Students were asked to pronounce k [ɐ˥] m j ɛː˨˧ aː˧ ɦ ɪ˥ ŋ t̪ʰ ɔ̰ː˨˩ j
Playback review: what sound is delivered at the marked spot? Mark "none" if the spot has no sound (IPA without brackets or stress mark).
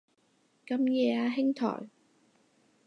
ɐ˧